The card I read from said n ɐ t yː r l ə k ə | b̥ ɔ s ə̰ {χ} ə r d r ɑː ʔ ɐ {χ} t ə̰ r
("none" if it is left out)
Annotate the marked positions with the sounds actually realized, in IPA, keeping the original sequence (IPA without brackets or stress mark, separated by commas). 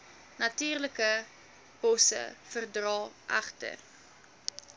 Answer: f, χ